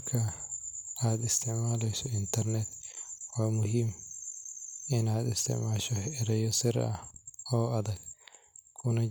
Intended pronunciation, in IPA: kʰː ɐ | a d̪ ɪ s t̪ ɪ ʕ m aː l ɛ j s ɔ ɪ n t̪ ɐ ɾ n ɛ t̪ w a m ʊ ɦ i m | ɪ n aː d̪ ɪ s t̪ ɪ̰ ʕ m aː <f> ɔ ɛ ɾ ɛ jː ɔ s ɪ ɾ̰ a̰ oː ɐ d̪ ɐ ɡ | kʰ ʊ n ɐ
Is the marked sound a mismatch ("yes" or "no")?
yes